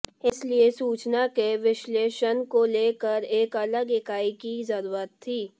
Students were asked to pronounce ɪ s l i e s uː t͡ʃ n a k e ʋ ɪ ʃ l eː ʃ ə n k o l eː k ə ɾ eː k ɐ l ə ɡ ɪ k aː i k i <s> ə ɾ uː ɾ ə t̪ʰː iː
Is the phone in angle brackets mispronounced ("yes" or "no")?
yes